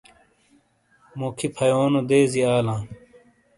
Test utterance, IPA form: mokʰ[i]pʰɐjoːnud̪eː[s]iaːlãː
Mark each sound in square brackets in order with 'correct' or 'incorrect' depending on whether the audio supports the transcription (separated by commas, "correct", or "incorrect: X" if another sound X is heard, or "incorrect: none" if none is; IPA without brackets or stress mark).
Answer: correct, incorrect: z